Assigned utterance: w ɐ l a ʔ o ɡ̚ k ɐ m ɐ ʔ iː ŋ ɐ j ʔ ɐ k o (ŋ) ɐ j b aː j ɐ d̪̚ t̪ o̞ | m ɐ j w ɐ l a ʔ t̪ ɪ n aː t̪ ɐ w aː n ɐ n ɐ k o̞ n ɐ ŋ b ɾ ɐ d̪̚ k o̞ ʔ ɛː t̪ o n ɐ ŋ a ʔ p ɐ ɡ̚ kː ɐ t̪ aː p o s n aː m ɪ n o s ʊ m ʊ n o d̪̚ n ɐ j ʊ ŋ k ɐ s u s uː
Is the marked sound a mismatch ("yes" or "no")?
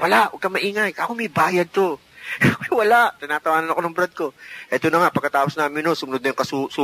yes